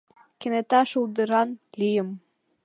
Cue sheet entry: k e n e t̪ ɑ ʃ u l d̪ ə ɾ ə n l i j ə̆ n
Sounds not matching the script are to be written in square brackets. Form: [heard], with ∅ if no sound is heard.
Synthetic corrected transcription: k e n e t̪ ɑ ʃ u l d̪ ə ɾ [ɑ] n l i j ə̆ [m]